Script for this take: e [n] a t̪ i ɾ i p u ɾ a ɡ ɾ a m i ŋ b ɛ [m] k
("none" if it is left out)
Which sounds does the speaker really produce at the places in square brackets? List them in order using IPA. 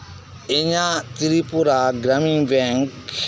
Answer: ɲ, ŋ

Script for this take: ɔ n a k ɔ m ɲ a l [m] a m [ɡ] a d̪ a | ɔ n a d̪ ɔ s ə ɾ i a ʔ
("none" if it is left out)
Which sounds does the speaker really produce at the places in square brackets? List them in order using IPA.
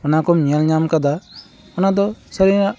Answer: ɲ, k

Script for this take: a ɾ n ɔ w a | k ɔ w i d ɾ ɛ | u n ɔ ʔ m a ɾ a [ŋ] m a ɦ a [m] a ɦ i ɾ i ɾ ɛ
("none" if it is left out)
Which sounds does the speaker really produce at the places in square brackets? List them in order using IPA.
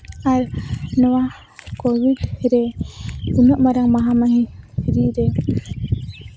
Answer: ŋ, m

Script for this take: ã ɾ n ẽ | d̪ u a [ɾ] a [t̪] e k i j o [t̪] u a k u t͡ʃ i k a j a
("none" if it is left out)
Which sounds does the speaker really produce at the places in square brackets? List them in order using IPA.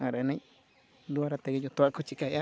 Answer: ɾ, t̪, t̪

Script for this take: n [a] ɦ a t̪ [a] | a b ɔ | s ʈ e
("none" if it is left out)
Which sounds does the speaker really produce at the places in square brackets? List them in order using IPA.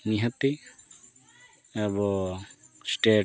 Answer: i, i

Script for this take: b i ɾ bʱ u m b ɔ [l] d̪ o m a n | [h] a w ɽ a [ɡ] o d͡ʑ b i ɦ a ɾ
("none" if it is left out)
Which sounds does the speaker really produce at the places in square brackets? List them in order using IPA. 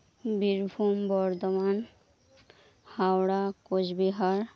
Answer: ɾ, h, k

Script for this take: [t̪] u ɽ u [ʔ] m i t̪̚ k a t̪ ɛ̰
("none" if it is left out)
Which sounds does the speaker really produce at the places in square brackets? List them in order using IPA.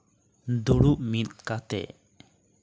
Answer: d̪, ʔ

